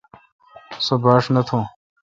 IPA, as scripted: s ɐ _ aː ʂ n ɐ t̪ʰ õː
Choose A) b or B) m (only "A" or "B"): A